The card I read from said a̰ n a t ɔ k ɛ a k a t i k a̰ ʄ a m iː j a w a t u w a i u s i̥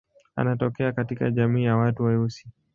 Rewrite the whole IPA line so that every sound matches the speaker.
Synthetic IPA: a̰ n a t ɔ k ɛ a k a t i k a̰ ʄ a m iː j a w a t u w a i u s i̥